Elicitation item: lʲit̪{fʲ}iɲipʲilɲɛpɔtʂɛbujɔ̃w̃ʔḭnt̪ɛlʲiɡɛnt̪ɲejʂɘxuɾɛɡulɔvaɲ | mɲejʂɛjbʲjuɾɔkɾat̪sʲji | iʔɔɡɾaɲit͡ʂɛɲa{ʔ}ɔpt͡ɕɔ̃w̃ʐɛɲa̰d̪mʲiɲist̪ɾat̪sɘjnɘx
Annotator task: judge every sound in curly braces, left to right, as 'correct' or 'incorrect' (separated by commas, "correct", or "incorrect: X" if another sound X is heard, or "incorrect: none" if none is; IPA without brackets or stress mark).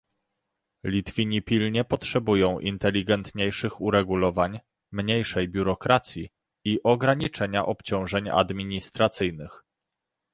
correct, correct